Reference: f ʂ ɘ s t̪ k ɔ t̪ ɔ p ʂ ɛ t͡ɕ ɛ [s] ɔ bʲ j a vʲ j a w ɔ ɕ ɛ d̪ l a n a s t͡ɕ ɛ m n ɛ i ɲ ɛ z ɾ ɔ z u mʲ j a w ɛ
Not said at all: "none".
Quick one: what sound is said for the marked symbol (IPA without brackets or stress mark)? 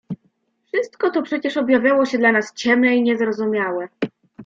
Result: ʂ